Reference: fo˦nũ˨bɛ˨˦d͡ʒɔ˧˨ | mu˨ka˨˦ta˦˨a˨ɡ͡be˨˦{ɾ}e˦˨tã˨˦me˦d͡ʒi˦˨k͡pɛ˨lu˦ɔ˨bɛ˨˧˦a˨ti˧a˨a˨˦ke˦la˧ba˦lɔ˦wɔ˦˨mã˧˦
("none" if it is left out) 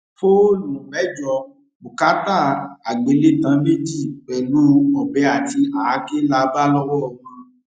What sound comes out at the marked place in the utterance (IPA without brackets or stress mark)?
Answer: l